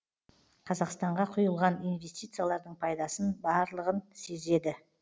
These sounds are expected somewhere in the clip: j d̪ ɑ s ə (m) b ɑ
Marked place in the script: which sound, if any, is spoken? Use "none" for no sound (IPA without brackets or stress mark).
n